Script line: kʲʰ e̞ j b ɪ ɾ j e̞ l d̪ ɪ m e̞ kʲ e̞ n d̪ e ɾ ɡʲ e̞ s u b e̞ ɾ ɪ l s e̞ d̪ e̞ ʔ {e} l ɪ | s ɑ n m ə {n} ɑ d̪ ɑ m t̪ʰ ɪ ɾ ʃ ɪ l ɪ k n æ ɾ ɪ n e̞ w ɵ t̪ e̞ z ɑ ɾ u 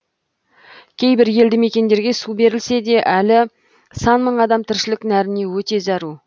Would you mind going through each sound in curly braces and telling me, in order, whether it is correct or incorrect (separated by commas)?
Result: incorrect, incorrect